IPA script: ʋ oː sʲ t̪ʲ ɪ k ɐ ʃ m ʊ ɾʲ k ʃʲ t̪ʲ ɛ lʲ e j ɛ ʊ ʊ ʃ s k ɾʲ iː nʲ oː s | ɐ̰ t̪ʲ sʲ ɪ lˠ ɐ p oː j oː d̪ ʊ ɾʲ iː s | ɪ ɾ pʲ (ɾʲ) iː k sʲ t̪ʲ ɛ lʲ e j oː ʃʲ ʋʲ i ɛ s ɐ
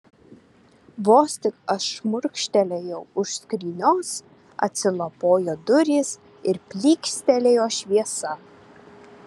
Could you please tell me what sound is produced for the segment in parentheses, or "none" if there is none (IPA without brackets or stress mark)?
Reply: lʲ